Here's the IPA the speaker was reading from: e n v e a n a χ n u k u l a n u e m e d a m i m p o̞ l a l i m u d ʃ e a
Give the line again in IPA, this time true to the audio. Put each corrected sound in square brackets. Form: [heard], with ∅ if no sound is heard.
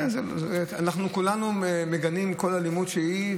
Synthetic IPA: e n [z] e a n a χ n u k u l a n u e m e [ɡ] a [n] i m [k] o̞ l a l i m u d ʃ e [i]